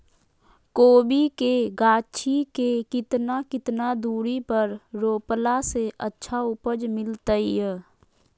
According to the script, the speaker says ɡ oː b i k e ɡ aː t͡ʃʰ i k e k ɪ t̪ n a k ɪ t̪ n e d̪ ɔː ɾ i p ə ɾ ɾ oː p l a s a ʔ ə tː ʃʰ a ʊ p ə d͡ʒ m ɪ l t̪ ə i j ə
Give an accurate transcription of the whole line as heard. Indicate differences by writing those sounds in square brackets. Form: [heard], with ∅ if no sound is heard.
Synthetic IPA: [k] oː b i k e ɡ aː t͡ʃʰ i k e k ɪ t̪ n a k ɪ t̪ n [a] d̪ [uː] ɾ i p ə ɾ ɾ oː p l a s [e] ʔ ə tː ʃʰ a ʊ p ə d͡ʒ m ɪ l t̪ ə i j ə